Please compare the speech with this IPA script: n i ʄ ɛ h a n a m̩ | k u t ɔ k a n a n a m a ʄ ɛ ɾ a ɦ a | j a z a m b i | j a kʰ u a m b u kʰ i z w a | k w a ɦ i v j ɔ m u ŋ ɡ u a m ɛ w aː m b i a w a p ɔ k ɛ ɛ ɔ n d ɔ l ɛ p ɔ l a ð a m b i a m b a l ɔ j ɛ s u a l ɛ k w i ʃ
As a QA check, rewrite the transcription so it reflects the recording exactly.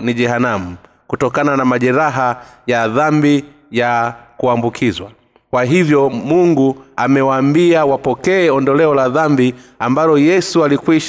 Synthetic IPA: n i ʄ ɛ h a n a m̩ | k u t ɔ k a n a n a m a ʄ ɛ ɾ a ɦ a | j a ð a m b i | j a k u a m b u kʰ i z w a | k w a ɦ i v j ɔ m u ŋ ɡ u a m ɛ w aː m b i a w a p ɔ k ɛ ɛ ɔ n d ɔ l ɛ ɔ l a ð a m b i a m b a l ɔ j ɛ s u a l i k w i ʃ